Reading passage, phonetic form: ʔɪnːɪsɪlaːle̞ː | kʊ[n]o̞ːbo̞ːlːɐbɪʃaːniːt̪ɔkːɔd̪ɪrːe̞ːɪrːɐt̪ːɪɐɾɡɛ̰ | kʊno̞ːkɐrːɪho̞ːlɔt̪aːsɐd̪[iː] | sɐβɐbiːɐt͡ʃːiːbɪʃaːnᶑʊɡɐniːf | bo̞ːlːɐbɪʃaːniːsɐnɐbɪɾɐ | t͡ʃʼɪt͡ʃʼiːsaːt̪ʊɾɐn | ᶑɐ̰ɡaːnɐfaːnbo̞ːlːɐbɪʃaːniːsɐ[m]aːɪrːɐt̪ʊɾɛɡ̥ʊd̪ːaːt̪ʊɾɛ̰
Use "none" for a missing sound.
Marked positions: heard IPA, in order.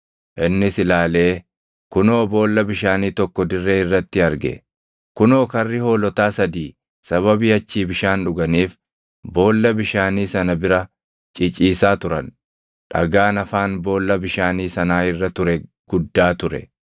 n, iː, n

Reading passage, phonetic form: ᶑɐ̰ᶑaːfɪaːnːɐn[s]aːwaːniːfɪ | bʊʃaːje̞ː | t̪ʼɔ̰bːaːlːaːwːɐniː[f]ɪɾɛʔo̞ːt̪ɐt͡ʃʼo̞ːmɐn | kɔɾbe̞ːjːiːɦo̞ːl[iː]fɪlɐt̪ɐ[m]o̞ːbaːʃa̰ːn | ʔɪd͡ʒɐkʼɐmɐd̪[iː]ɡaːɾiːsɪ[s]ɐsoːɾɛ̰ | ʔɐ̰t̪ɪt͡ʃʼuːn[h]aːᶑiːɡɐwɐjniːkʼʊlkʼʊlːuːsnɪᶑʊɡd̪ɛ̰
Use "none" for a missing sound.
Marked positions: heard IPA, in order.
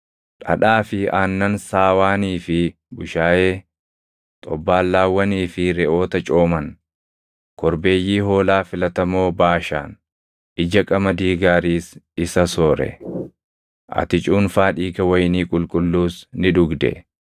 s, f, aː, m, iː, s, f

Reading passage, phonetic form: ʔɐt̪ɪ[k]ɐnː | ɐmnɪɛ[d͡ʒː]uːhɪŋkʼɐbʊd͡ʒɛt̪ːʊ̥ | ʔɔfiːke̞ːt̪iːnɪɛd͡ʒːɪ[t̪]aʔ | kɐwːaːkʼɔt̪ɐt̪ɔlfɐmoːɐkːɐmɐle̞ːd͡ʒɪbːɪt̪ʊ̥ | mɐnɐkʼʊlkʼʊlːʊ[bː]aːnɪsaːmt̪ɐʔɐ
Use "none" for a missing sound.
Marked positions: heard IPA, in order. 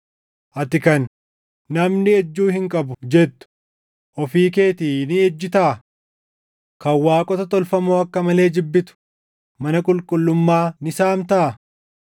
k, d͡ʒː, t̪, mː

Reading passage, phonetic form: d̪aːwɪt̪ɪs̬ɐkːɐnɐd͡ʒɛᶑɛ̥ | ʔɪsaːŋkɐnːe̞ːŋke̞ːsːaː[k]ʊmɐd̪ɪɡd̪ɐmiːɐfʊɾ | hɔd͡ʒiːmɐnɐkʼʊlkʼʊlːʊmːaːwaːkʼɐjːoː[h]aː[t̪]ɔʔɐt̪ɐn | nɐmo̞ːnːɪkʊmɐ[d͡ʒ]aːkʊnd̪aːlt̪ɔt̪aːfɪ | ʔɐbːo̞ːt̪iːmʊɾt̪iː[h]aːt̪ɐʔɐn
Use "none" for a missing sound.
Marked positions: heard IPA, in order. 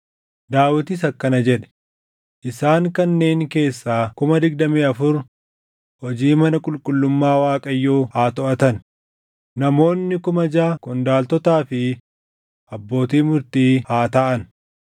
k, h, t̪, d͡ʒ, h

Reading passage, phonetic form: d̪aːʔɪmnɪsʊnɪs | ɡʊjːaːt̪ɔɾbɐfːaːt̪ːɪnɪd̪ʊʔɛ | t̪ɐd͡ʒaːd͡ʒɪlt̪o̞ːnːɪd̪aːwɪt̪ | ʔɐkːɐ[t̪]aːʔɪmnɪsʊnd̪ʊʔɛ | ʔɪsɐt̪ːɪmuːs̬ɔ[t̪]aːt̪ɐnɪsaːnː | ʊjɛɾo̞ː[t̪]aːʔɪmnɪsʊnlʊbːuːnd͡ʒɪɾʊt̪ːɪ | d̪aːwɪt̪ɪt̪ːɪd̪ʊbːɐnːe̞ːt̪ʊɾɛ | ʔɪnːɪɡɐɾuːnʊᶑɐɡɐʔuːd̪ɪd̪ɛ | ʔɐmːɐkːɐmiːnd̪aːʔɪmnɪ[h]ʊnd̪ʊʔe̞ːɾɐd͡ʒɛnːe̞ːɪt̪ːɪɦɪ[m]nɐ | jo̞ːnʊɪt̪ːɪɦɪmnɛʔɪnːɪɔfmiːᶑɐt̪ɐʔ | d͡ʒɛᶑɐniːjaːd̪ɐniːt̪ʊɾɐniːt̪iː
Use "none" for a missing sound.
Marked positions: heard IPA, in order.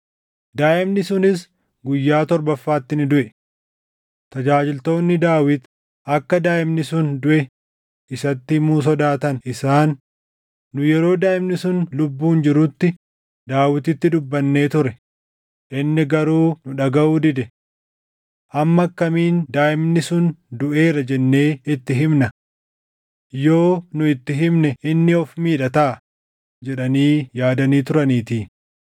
d̪, d̪, d̪, s, m

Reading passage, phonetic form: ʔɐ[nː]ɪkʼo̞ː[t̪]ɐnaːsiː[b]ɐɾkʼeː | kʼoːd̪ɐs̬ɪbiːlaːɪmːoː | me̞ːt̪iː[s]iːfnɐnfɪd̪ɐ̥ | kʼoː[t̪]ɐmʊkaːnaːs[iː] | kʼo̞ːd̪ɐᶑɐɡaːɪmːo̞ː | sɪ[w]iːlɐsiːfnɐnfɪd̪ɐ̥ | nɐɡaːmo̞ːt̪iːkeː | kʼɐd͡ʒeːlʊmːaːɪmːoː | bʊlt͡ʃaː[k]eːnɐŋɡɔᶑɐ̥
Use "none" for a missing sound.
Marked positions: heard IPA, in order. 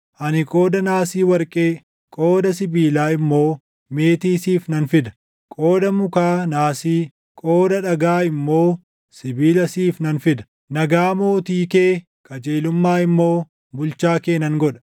n, d̪, w, s, d̪, iː, b, k

